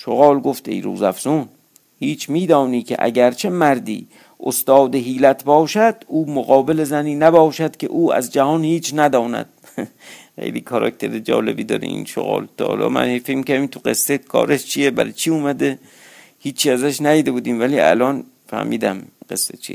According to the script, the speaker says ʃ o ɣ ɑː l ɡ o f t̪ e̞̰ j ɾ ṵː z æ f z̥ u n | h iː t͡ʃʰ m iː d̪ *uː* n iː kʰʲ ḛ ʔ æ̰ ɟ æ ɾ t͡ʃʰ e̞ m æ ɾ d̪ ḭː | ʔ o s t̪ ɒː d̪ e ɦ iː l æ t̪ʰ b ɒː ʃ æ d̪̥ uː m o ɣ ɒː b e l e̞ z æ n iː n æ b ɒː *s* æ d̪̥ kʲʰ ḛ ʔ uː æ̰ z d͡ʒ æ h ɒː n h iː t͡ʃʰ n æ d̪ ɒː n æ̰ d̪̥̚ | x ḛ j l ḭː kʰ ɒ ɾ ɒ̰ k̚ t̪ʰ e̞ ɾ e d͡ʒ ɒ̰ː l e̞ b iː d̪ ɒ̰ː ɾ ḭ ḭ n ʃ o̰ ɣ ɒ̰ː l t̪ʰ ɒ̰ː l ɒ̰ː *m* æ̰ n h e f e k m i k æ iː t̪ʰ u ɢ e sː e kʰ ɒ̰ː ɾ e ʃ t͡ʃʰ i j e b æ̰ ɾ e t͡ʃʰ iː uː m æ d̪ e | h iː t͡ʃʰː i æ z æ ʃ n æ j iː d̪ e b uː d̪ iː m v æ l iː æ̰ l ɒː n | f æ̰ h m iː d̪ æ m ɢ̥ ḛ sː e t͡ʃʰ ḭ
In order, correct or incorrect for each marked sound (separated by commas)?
incorrect, incorrect, correct